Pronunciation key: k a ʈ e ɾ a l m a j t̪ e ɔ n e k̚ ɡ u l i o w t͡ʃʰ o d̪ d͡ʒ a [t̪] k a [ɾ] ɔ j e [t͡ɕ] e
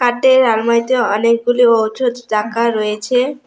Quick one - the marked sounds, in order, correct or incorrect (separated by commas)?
incorrect, correct, incorrect